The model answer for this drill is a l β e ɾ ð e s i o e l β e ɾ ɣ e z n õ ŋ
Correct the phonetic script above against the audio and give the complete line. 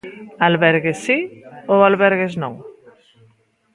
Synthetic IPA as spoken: a l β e ɾ ɣ e s i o a l β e ɾ ɣ e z n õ ŋ